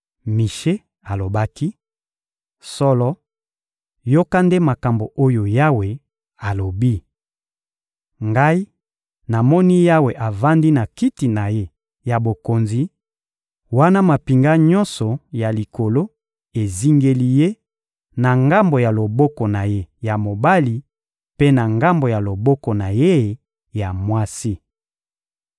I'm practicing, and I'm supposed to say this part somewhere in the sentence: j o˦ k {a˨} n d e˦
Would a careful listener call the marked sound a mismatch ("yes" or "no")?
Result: yes